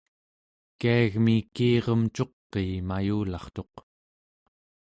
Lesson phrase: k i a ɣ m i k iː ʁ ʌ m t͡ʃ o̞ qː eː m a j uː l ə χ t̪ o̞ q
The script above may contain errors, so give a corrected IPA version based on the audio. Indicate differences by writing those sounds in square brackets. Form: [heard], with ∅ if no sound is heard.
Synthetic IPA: k i a ɣ m i k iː ʁ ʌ m t͡ʃ o̞ qː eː m a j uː l [ɑ] χ t̪ o̞ q